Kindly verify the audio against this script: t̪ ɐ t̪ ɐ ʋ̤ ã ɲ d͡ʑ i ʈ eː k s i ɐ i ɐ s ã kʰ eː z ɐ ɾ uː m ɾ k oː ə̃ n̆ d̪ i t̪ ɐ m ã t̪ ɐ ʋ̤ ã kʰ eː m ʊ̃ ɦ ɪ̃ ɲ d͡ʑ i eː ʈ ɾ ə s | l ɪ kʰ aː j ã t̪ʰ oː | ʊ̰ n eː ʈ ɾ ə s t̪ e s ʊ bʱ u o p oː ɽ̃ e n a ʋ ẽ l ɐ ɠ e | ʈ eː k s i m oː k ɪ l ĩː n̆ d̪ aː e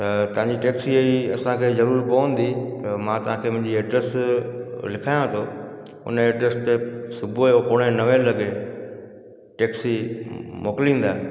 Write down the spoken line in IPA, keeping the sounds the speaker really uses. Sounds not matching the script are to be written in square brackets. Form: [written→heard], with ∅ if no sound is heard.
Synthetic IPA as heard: t̪ ɐ t̪ ɐ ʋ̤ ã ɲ d͡ʑ i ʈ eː k s i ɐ i ɐ s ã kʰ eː z ɐ ɾ uː [m→∅] ɾ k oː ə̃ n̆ d̪ i t̪ ɐ m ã t̪ ɐ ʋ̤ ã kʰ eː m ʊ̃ ɦ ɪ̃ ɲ d͡ʑ i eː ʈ ɾ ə s | l ɪ kʰ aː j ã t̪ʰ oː | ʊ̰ n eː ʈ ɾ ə s t̪ e s ʊ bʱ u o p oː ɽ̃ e n [a→ɐ] ʋ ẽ l ɐ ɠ e | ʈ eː k s i m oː k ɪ l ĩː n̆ d̪ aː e

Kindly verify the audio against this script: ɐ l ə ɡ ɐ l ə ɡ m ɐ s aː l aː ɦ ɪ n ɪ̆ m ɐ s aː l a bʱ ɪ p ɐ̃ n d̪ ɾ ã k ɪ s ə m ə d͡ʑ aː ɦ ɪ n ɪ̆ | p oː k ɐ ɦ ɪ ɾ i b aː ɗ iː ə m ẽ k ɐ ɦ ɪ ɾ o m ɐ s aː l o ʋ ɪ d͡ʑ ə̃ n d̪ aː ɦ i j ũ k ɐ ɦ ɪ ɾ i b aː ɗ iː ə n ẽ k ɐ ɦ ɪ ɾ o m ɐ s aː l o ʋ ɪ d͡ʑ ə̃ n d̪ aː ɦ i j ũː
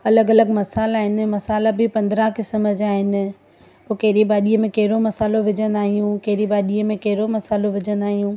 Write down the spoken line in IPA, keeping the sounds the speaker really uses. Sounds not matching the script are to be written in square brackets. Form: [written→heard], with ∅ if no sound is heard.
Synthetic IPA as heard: ɐ l ə ɡ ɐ l ə ɡ m ɐ s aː l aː ɦ ɪ n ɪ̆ m ɐ s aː l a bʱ ɪ p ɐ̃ n d̪ ɾ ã k ɪ s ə m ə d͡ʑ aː ɦ ɪ n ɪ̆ | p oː k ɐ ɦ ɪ ɾ i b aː ɗ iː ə m ẽ k ɐ ɦ ɪ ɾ o m ɐ s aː l o ʋ ɪ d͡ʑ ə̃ n d̪ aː ɦ i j ũ k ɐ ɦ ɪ ɾ i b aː ɗ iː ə [n→m] ẽ k ɐ ɦ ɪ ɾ o m ɐ s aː l o ʋ ɪ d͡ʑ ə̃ n d̪ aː ɦ i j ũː

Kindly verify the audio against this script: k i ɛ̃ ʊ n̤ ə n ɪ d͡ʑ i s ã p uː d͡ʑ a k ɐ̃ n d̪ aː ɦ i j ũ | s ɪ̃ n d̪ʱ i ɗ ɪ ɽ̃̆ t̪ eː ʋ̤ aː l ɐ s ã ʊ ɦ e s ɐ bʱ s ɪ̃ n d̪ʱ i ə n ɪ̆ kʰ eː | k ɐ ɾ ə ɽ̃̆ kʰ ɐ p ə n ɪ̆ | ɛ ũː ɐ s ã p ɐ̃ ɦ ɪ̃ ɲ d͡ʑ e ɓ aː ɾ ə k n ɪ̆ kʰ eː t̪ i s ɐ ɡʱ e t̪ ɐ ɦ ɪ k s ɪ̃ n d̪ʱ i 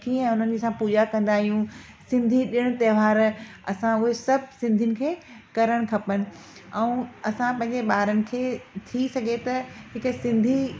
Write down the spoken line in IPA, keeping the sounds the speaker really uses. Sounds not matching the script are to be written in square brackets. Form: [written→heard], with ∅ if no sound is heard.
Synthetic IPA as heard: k i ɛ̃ ʊ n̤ ə n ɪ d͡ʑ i s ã p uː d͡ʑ a k ɐ̃ n d̪ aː ɦ i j ũ | s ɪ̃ n d̪ʱ i ɗ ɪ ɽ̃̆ t̪ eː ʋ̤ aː [l→ɾ] ɐ s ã ʊ ɦ e s ɐ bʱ s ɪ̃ n d̪ʱ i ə n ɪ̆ kʰ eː | k ɐ ɾ ə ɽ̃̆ kʰ ɐ p ə n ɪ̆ | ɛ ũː ɐ s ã p ɐ̃ ɦ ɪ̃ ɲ d͡ʑ e ɓ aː ɾ ə [k→∅] n ɪ̆ kʰ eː [t̪→t̪ʰ] i s ɐ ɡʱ e t̪ ɐ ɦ ɪ k s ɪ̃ n d̪ʱ i

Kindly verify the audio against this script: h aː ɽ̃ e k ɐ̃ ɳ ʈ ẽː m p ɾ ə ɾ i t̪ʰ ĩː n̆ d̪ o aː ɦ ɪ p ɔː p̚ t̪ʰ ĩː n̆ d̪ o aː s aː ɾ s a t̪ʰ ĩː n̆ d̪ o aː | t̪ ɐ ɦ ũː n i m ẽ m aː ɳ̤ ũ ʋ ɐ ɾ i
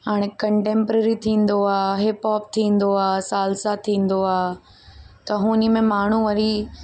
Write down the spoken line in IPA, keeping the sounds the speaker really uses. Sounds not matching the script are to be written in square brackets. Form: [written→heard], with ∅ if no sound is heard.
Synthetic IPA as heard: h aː ɽ̃ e k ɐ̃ ɳ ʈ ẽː m p ɾ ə ɾ i t̪ʰ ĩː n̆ d̪ o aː ɦ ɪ p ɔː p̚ t̪ʰ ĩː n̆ d̪ o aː s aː [ɾ→l] s a t̪ʰ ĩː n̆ d̪ o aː | t̪ ɐ ɦ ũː n i m ẽ m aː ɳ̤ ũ ʋ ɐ ɾ i

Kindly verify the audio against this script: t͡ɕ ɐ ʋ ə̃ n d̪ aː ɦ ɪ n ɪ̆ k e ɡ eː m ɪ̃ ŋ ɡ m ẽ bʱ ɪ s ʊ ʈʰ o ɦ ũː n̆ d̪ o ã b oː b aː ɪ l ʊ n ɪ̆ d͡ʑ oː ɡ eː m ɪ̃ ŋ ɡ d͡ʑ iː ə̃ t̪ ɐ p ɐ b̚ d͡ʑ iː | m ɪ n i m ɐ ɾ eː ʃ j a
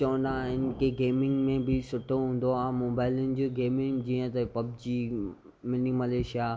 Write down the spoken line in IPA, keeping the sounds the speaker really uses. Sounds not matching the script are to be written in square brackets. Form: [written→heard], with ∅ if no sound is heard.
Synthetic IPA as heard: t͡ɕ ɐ ʋ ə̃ n d̪ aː ɦ ɪ n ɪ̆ k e ɡ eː m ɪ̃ ŋ ɡ m ẽ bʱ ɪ s ʊ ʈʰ o ɦ ũː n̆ d̪ o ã [b→m] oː b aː ɪ l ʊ n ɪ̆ d͡ʑ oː ɡ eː m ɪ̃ ŋ ɡ d͡ʑ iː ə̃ t̪ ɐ p ɐ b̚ d͡ʑ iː | m ɪ n i m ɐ [ɾ→l] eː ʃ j a

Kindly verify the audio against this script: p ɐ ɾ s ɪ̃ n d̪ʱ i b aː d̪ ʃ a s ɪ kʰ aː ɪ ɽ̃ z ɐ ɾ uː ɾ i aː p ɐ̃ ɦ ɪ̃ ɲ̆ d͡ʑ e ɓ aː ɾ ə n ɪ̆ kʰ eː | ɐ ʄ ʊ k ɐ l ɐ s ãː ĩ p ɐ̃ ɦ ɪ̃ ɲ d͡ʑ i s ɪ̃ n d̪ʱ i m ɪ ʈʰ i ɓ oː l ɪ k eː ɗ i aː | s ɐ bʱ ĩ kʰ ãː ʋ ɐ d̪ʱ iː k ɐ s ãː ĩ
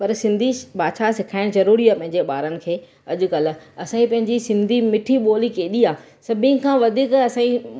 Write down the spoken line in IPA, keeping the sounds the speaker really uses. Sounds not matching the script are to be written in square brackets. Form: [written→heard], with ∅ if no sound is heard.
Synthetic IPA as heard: p ɐ ɾ s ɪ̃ n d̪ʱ i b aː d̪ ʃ a s ɪ kʰ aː ɪ ɽ̃ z ɐ ɾ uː ɾ i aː p ɐ̃ ɦ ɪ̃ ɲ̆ d͡ʑ e ɓ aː ɾ ə n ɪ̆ kʰ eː | ɐ ʄ ʊ k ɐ l ɐ s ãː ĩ p ɐ̃ ɦ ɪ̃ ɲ d͡ʑ i s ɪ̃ n d̪ʱ i m ɪ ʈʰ i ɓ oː l [ɪ→i] k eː ɗ i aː | s ɐ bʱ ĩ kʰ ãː ʋ ɐ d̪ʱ iː k ɐ s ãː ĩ

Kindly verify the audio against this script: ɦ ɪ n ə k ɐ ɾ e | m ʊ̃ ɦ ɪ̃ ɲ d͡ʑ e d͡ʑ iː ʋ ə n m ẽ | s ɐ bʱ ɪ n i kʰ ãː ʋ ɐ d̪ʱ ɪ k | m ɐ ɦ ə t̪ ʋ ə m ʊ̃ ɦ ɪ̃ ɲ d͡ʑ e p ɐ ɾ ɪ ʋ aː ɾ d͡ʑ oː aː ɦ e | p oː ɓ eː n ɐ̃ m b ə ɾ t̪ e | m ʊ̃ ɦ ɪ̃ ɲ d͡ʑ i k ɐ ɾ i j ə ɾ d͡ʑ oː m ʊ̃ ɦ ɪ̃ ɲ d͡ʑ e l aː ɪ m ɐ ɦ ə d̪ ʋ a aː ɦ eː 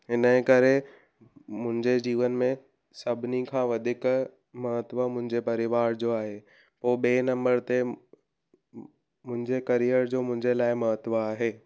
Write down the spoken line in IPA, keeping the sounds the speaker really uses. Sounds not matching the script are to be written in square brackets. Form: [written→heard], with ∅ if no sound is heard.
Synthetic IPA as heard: ɦ ɪ n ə k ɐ ɾ e | m ʊ̃ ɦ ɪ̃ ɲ d͡ʑ e d͡ʑ iː ʋ ə n m ẽ | s ɐ bʱ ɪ n i kʰ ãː ʋ ɐ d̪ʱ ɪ k | m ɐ ɦ ə t̪ ʋ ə m ʊ̃ ɦ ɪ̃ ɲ d͡ʑ e p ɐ ɾ ɪ ʋ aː ɾ d͡ʑ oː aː ɦ e | p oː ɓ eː n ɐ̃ m b ə ɾ t̪ e | m ʊ̃ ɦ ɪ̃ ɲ d͡ʑ [i→e] k ɐ ɾ i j ə ɾ d͡ʑ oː m ʊ̃ ɦ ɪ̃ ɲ d͡ʑ e l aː ɪ m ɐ ɦ ə [d̪→t̪] ʋ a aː ɦ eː

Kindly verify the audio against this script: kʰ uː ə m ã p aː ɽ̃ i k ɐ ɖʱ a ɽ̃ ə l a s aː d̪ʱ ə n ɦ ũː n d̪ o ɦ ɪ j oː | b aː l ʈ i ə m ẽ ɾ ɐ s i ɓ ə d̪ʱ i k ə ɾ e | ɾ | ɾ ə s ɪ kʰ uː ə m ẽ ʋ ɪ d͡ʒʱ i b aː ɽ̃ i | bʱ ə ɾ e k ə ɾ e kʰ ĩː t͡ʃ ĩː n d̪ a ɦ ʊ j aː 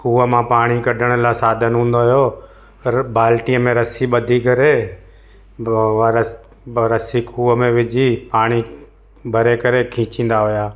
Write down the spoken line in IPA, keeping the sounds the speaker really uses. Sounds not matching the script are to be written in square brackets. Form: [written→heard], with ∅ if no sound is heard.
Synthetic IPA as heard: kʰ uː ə m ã p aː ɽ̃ i k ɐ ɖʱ [a→ə] ɽ̃ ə l a s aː d̪ʱ ə n ɦ ũː n d̪ o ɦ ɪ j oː | b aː l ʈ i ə m ẽ ɾ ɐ s i ɓ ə d̪ʱ i k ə ɾ e | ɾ | ɾ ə s [ɪ→i] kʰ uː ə m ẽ ʋ ɪ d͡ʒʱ i [b→p] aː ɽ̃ i | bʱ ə ɾ e k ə ɾ e kʰ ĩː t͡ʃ ĩː n d̪ a ɦ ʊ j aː

